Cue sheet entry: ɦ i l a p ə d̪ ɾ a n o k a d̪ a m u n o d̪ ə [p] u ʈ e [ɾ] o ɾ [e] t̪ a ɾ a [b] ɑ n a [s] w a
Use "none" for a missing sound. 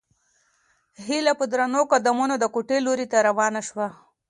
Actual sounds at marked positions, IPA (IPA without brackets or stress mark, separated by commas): k, l, i, w, ʃ